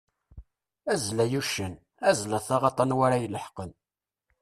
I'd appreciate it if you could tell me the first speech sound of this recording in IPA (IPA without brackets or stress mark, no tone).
æ